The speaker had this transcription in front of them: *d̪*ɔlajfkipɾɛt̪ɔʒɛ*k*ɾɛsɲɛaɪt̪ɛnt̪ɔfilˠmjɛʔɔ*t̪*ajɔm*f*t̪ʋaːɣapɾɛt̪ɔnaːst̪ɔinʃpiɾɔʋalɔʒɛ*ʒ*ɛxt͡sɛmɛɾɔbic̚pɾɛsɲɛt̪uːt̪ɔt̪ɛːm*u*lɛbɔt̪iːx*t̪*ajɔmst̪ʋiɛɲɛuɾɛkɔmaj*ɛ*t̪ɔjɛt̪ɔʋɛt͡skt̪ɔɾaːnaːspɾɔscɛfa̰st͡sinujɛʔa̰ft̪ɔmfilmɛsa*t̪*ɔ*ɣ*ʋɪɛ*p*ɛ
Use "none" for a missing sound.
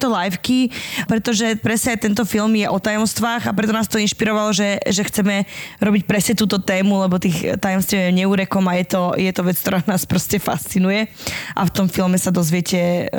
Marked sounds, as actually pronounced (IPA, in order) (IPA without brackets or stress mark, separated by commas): t̪, p, t̪, s, ʒ, u, t̪, ɛ, d̪, z, c